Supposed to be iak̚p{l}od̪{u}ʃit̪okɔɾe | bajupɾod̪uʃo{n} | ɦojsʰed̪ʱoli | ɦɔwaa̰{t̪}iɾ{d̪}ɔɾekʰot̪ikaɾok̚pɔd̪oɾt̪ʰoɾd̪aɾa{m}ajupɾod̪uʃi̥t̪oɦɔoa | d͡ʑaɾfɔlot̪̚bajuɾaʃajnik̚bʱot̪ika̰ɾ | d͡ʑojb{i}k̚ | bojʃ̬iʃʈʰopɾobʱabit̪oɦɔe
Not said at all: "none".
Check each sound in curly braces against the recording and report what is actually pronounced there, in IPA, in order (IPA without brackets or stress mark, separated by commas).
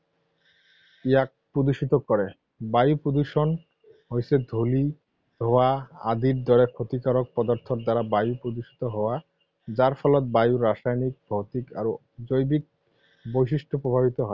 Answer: ɾ, u, n, d̪, d̪, b, i